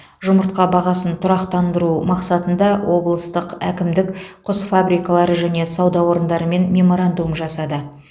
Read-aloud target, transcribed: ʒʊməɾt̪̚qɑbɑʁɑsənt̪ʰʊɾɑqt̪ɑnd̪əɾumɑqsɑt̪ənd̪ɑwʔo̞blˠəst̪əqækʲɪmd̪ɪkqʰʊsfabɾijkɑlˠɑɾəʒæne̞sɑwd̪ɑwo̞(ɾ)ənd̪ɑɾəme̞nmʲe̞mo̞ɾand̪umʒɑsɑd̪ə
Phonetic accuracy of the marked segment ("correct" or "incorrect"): correct